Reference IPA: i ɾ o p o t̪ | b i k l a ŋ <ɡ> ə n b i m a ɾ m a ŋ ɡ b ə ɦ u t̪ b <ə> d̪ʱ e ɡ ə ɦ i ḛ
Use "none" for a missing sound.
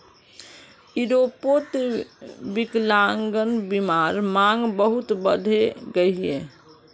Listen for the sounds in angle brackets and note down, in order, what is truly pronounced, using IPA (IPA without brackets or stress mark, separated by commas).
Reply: ɡ, ə